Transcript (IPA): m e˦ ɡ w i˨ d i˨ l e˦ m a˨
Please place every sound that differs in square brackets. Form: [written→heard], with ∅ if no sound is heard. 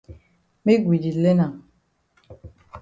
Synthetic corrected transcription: m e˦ ɡ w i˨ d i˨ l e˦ [m→n] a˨

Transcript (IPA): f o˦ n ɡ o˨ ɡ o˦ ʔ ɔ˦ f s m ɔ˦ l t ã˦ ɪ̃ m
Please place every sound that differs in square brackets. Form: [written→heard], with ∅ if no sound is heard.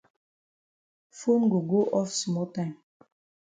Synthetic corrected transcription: f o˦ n ɡ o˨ ɡ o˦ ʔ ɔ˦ f s m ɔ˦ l t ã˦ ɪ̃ m

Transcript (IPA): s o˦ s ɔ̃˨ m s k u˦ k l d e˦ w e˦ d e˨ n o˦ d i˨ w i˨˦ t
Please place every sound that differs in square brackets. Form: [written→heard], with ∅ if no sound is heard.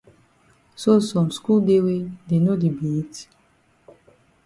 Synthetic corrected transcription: s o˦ s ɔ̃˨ m s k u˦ [k→∅] l d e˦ w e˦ d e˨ n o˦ d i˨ [w→b] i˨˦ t

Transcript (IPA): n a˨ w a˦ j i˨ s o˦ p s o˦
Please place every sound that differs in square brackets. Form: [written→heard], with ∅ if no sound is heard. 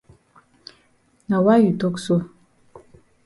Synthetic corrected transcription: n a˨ w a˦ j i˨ [s→t] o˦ [p→k] s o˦

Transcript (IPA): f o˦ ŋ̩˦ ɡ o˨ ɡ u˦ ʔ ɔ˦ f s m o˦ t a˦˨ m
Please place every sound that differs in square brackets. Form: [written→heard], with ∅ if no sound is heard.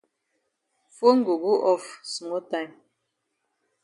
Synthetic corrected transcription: f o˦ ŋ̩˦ ɡ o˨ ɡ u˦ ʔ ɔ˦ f s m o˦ t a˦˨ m

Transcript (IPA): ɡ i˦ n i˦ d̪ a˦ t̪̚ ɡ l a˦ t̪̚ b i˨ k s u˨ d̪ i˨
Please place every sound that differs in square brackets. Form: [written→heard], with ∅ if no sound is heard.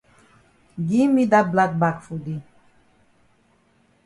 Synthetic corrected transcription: ɡ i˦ [n→m] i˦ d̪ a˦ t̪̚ [ɡ→b] l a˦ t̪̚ b [i˨→a˨] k [s→f] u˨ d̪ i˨

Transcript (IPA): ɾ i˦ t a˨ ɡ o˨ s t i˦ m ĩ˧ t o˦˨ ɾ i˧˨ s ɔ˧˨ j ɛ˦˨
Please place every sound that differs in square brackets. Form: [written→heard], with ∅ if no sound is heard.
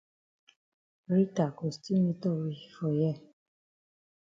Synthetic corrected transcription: ɾ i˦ t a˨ [ɡ→k] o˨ s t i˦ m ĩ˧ t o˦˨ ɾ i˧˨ [s→f] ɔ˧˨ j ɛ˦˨

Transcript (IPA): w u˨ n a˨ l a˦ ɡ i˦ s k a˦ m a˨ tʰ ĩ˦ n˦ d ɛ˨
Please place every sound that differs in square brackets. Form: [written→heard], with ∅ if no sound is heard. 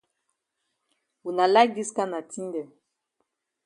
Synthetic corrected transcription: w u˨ n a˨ l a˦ ɡ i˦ s k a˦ [m→n] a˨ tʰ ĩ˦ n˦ d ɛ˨

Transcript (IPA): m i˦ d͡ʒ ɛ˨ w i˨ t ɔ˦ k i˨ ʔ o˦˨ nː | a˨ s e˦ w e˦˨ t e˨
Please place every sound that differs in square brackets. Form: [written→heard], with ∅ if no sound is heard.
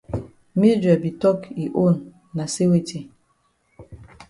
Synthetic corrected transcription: m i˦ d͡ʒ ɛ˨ [w→b] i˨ t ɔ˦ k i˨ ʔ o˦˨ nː | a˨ s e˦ w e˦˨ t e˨

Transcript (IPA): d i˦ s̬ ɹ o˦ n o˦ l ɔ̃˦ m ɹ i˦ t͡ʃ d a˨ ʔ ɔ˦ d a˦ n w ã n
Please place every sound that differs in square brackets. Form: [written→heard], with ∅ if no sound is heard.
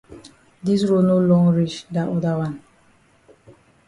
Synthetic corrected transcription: d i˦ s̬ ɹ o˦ n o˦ l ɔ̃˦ [m→ŋ] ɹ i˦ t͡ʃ d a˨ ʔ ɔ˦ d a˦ [n→∅] w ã n

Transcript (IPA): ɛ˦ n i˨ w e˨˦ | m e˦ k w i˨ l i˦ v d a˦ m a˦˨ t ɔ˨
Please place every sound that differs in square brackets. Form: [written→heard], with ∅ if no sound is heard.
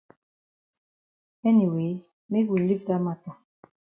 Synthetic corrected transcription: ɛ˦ n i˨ w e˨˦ | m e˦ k w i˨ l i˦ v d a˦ m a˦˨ t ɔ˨

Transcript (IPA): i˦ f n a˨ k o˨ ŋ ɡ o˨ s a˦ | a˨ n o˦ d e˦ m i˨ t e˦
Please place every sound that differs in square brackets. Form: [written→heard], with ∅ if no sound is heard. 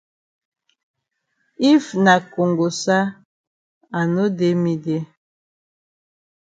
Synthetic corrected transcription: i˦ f n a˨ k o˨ ŋ ɡ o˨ s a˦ | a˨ n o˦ d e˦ m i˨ [t→d] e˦

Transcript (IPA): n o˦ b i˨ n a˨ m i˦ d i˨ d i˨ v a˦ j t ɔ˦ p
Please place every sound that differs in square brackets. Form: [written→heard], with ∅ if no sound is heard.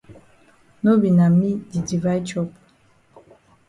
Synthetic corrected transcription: n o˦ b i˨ n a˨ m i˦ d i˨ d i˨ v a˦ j [t→t͡ʃ] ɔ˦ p

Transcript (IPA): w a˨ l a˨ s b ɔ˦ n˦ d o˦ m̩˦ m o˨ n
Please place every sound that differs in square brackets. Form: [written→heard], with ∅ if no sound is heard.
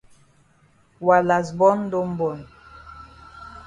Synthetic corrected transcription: w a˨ l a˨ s b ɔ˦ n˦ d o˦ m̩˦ [m→b] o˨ n

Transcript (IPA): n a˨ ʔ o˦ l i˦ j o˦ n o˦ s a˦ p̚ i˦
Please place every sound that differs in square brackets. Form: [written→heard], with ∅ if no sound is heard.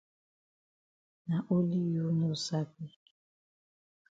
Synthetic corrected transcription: n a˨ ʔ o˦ l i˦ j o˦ n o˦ s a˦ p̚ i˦

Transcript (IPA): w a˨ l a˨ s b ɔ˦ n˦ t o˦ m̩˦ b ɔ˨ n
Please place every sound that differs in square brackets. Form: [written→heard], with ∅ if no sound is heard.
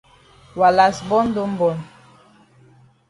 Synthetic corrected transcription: w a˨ l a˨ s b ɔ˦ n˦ [t→d] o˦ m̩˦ b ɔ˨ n

